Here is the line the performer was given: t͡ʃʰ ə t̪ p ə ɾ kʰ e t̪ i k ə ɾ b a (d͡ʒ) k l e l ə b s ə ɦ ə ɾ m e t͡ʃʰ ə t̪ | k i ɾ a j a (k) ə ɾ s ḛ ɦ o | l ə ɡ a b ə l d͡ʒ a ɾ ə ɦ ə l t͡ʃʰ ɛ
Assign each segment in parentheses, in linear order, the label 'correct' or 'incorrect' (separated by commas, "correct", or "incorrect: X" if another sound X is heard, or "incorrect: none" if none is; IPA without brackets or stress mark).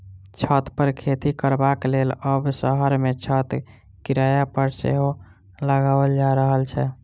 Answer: incorrect: none, incorrect: p